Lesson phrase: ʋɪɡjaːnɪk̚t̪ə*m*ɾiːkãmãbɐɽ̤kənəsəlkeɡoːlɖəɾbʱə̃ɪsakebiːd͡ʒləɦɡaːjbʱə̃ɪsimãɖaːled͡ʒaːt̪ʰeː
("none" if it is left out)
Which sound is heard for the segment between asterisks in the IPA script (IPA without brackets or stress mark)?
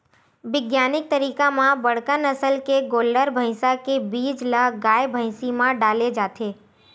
none